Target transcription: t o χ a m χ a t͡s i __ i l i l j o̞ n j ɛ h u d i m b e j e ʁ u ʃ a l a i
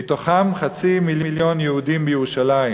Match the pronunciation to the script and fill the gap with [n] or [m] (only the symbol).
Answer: m